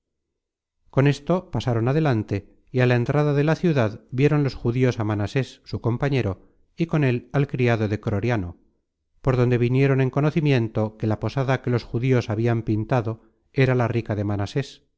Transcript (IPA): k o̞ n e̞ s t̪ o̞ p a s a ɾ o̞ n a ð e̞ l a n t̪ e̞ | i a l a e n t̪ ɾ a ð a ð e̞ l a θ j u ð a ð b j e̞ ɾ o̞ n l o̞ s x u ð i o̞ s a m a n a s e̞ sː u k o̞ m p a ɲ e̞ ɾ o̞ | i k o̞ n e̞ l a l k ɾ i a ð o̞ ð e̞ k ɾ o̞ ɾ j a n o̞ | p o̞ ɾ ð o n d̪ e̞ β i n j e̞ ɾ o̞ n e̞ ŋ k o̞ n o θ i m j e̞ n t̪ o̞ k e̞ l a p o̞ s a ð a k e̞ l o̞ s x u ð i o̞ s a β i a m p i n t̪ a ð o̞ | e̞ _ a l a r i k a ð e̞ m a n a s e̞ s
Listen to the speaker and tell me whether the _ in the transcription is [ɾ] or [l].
ɾ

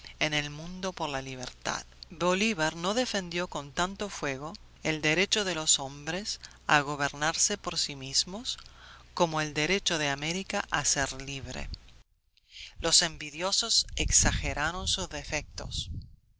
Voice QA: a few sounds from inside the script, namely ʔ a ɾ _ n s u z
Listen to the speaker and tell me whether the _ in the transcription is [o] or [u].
o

